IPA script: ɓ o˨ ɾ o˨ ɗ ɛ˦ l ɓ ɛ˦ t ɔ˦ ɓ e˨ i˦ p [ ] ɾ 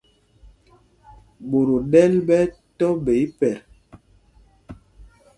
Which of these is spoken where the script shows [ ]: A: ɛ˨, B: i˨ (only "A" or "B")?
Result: A